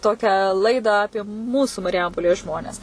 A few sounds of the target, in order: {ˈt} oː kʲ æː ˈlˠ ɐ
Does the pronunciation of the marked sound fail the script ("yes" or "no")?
no